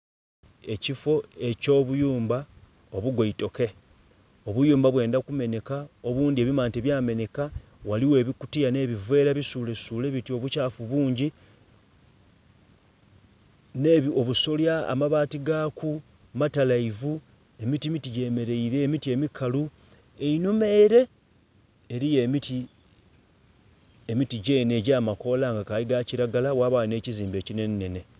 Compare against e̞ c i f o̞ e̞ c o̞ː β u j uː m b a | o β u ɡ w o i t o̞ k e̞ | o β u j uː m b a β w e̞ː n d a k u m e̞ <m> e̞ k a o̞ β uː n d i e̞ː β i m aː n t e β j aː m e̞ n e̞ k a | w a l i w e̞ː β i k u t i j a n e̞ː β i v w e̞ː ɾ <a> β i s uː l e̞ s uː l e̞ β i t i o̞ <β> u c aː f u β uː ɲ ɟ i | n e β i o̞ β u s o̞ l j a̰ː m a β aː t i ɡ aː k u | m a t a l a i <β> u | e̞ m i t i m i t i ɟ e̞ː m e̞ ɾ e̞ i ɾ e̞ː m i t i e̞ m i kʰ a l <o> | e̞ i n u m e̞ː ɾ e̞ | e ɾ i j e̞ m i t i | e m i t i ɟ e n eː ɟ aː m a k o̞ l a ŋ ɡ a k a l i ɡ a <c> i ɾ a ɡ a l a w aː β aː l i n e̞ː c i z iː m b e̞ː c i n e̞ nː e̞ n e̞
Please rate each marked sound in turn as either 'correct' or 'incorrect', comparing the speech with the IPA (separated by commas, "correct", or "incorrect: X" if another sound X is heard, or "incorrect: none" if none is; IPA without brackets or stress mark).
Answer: incorrect: n, correct, correct, incorrect: v, incorrect: u, correct